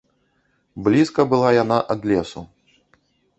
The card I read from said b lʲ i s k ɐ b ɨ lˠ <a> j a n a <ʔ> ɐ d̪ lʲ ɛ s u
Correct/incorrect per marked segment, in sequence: correct, correct

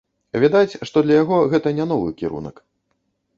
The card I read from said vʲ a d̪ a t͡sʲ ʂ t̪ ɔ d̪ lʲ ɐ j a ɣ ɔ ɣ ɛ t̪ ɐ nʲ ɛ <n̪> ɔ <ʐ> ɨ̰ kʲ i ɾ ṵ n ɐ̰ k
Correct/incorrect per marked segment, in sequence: correct, incorrect

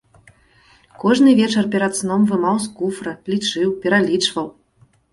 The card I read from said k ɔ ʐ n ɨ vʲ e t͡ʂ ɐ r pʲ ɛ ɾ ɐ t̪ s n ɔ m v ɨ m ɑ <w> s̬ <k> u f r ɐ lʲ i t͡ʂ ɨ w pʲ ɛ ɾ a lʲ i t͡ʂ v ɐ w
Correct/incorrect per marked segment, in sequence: correct, correct

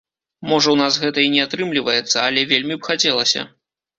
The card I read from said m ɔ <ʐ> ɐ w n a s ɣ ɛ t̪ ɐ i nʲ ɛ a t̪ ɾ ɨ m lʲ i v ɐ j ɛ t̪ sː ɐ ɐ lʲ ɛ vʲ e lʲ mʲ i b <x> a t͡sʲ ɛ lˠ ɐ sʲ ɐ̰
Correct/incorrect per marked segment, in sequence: correct, correct

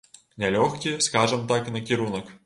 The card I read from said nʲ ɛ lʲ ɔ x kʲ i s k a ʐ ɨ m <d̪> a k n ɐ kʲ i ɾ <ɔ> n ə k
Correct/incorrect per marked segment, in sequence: incorrect, incorrect

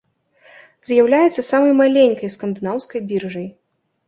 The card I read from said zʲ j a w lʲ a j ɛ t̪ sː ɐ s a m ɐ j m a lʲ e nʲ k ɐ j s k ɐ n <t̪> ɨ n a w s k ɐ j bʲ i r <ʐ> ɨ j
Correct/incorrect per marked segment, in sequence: incorrect, correct

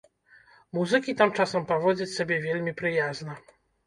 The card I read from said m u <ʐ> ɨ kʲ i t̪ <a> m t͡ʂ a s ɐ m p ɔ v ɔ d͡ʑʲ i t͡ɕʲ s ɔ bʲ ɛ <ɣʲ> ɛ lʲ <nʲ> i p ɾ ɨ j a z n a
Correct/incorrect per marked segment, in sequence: incorrect, correct, incorrect, incorrect

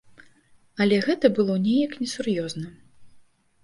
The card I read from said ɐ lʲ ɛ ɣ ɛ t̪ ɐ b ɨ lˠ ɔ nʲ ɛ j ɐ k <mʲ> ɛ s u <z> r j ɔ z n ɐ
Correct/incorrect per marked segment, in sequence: incorrect, incorrect

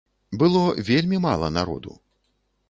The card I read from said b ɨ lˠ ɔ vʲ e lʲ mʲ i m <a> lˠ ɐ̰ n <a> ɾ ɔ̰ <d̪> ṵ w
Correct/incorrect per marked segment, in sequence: correct, correct, correct

